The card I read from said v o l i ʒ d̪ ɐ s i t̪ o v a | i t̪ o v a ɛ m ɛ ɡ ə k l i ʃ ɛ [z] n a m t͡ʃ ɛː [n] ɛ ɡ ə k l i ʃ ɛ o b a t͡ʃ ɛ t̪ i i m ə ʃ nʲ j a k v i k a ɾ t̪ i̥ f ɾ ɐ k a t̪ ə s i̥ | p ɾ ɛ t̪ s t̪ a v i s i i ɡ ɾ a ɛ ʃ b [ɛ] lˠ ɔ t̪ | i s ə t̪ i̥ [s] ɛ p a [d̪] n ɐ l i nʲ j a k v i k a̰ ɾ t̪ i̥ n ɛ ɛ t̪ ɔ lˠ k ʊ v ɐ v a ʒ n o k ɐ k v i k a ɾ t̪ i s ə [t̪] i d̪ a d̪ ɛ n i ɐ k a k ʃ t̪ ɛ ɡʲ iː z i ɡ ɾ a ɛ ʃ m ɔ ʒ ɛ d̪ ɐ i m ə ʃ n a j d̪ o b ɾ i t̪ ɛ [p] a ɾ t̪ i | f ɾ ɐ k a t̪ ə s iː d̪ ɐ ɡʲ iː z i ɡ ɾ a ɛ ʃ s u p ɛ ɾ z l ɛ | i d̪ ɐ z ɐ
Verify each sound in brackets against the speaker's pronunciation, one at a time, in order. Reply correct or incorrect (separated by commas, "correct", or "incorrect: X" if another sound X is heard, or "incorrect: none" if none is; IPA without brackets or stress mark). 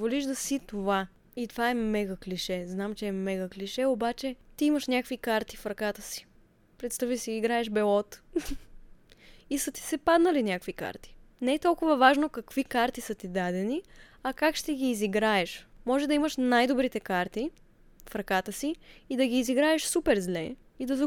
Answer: correct, incorrect: m, correct, correct, correct, correct, incorrect: k